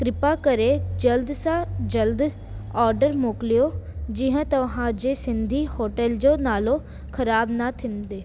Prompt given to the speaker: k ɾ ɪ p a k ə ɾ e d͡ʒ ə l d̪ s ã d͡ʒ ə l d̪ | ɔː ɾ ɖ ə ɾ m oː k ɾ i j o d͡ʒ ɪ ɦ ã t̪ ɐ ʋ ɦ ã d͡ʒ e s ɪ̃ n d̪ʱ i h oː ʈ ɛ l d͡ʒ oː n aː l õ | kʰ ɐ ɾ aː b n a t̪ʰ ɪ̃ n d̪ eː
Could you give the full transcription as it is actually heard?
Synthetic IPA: k ɾ ɪ p a k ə ɾ e d͡ʒ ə l d̪ s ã d͡ʒ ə l d̪ | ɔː ɾ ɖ ə ɾ m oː k l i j o d͡ʒ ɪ ɦ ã t̪ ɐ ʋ ɦ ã d͡ʒ e s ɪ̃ n d̪ʱ i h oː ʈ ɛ l d͡ʒ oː n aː l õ | kʰ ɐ ɾ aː b n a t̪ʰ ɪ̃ n d̪ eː

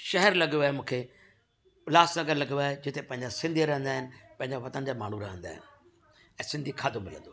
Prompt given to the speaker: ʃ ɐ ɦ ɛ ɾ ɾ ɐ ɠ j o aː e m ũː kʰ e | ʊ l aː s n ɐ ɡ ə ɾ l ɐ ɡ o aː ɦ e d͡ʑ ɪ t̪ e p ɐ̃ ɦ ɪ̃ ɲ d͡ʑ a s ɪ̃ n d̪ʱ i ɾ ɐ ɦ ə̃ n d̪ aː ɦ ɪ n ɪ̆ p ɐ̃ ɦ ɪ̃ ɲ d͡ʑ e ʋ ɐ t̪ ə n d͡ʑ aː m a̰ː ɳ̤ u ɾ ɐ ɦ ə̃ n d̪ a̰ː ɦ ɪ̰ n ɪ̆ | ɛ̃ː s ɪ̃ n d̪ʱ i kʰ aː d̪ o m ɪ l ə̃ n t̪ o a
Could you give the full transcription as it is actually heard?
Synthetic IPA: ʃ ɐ ɦ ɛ ɾ l ɐ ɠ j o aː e m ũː kʰ e | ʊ l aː s n ɐ ɡ ə ɾ l ɐ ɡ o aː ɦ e d͡ʑ ɪ t̪ e p ɐ̃ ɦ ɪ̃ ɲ d͡ʑ a s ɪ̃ n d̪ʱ i ɾ ɐ ɦ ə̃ n d̪ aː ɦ ɪ n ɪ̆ p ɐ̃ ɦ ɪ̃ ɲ d͡ʑ a ʋ ɐ t̪ ə n d͡ʑ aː m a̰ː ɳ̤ u ɾ ɐ ɦ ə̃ n d̪ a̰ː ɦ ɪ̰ n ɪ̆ | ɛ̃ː s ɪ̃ n d̪ʱ i kʰ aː d̪ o m ɪ l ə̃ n d̪ o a

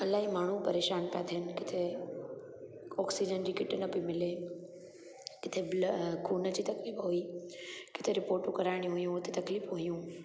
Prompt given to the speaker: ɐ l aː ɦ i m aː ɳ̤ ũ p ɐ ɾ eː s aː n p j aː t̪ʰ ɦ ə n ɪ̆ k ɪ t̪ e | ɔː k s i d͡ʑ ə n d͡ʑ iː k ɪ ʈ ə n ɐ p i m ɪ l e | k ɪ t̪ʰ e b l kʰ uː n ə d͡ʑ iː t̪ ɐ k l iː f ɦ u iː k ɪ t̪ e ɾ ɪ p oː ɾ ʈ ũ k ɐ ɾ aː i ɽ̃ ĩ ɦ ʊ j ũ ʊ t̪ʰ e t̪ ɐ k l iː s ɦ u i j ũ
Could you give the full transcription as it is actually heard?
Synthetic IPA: ɐ l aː ɦ i m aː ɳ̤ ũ p ɐ ɾ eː ʃ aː n p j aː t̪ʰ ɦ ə n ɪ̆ k ɪ t̪ʰ e | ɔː k s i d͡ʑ ə n d͡ʑ iː k ɪ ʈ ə n ɐ p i m ɪ l e | k ɪ t̪ʰ e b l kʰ uː n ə d͡ʑ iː t̪ ɐ k l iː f ɦ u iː k ɪ t̪ʰ e ɾ ɪ p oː ɾ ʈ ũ k ɐ ɾ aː ɪ ɽ̃ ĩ ɦ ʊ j ũ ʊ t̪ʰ e t̪ ɐ k l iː f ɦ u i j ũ

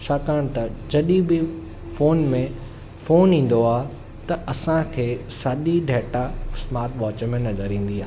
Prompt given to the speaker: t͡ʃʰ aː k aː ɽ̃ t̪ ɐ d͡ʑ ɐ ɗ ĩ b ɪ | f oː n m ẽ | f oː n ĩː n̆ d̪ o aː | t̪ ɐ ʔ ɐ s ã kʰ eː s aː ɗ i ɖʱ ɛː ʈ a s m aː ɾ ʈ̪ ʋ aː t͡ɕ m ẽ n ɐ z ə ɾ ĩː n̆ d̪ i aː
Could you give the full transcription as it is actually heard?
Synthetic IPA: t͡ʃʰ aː k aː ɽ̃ t̪ ɐ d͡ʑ ɐ ɗ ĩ b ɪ | f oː n m ẽ | f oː n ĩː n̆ d̪ o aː | t̪ ɐ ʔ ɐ s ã kʰ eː s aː ɗ i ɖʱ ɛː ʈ a s m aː ɾ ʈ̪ ʋ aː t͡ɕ m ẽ n ɐ z ə ɾ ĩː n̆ d̪ i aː

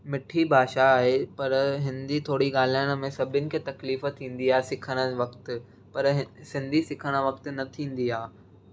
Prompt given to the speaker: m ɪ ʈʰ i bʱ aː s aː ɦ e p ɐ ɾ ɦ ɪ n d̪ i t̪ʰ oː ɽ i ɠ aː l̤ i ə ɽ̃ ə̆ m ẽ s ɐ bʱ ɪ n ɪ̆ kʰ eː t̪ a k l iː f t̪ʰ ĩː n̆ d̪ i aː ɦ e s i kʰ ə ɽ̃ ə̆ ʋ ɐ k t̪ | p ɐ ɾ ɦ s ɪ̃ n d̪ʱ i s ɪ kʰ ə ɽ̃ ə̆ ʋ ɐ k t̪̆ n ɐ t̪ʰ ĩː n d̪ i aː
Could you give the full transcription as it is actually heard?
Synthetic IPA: m ɪ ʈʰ i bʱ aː ʃ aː ɦ e p ɐ ɾ ɦ ɪ n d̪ i t̪ʰ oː ɽ i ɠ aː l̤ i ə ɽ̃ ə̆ m ẽ s ɐ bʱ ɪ n ɪ̆ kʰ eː t̪ ɐ k l iː f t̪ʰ ĩː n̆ d̪ i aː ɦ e s ɪ kʰ ə ɽ̃ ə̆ ʋ ɐ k t̪ | p ɐ ɾ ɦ s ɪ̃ n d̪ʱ i s ɪ kʰ ə ɽ̃ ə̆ ʋ ɐ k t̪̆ n ɐ t̪ʰ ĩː n d̪ i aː

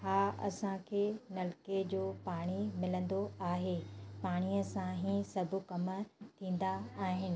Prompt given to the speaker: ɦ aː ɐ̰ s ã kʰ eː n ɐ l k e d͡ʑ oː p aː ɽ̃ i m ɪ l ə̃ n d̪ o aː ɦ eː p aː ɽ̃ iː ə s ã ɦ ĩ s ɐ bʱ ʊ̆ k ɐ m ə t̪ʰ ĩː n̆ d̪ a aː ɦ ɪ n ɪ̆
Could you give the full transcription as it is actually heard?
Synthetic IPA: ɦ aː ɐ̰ s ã kʰ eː n ɐ l k e d͡ʑ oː p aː ɽ̃ i m ɪ l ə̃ n d̪ o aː ɦ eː p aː ɽ̃ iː ə s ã ɦ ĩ s ɐ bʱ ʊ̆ k ɐ m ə t̪ʰ ĩː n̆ d̪ a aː ɦ ɪ n ɪ̆

